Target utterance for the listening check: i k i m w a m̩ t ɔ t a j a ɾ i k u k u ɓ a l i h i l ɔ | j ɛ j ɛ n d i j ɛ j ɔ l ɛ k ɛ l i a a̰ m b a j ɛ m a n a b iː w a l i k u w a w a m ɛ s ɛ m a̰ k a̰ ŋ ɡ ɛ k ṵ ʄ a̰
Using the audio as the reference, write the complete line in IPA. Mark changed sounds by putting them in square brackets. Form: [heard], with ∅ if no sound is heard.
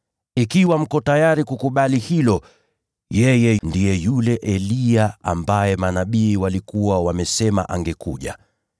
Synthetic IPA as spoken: i k i [∅] w a m̩ [k] ɔ t a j a ɾ i k u k u ɓ a l i h i l ɔ | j ɛ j ɛ n d i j ɛ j [u] l ɛ [ʔ] ɛ l i a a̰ m b a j ɛ m a n a [ɓ] iː w a l i k u w a w a m ɛ s ɛ m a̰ [ʔ] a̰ ŋ ɡ ɛ k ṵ ʄ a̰